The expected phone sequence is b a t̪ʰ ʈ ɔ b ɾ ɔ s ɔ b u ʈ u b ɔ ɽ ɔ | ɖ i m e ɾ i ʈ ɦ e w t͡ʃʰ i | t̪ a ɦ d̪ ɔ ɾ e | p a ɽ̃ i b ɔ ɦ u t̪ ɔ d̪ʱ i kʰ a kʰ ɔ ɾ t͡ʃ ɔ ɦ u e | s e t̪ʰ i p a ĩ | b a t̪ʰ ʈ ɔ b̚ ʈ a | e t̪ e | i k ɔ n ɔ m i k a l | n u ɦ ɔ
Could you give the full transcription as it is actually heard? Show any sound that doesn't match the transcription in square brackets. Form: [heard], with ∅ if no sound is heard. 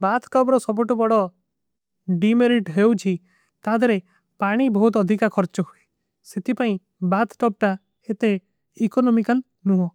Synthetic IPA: b a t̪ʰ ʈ ɔ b ɾ ɔ s ɔ b u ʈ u b ɔ ɽ ɔ | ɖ i m e ɾ i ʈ ɦ e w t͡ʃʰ i | t̪ a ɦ d̪ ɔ ɾ e | p a ɽ̃ i b ɔ ɦ u t̪ ɔ d̪ʱ i [k] a kʰ ɔ ɾ t͡ʃ ɔ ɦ u e | s e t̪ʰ i p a ĩ | b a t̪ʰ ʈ ɔ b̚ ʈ a | e t̪ e | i k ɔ n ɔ m i k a l | n u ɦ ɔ